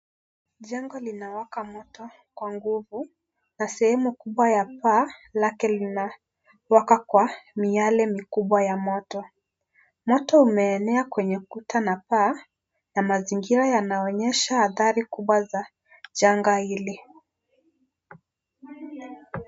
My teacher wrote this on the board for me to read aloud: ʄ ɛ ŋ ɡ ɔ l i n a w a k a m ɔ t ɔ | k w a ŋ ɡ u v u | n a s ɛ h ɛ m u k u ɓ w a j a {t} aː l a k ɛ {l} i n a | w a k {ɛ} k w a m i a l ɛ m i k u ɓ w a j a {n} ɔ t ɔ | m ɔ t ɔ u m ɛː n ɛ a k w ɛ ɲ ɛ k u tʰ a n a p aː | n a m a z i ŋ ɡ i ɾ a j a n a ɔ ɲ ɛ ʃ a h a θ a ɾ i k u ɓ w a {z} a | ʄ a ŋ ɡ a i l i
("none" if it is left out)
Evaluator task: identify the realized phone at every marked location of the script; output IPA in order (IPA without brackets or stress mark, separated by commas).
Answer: p, l, a, m, z